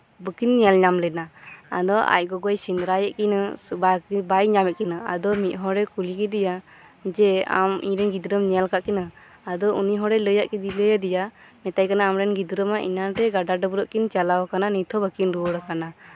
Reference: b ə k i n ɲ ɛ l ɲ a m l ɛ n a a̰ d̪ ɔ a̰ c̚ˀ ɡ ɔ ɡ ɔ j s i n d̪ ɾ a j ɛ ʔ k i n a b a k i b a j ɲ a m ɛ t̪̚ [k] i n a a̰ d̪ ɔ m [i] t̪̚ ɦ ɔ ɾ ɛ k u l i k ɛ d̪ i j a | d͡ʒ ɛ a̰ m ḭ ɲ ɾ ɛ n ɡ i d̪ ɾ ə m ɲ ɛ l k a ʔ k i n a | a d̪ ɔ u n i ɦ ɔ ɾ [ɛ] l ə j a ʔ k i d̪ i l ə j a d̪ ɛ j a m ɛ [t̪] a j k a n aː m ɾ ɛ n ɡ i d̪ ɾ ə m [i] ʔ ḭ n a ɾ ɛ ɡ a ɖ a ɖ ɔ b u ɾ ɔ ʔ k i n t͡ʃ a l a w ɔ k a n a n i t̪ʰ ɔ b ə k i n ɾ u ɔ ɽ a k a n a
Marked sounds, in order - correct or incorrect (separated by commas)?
correct, correct, correct, correct, incorrect